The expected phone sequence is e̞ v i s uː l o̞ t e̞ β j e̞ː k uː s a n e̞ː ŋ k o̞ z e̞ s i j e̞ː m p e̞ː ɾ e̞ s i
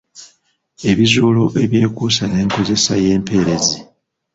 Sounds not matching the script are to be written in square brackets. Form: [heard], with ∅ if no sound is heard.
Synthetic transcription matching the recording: e̞ [β] i [z] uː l o̞ [ʔ] e̞ β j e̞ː k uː s a n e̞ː ŋ k o̞ z e̞ s [a] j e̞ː m p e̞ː ɾ e̞ [z] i